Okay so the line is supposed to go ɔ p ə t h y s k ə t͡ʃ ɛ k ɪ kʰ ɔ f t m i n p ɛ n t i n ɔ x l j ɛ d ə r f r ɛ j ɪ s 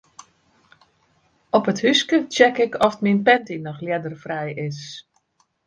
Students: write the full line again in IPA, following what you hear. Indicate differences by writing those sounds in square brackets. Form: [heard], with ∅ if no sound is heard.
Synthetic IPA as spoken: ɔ p ə t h y s k ə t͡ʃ ɛ k ɪ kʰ ɔ f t m i n p ɛ n t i n ɔ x l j ɛ d ə r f r ɛ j ɪ s